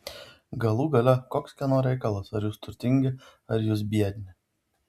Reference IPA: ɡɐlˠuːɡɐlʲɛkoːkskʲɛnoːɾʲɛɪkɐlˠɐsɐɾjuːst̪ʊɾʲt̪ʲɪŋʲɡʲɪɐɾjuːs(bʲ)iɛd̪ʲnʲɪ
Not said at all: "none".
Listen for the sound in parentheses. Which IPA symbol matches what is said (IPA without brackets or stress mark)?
bʲ